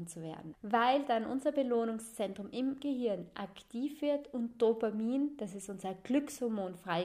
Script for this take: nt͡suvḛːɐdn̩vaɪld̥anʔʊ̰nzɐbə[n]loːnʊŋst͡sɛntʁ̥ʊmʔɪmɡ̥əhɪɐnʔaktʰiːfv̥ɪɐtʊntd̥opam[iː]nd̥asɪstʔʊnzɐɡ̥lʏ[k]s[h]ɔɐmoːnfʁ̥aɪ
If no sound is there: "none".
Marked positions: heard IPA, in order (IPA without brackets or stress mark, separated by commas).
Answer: none, iː, k, h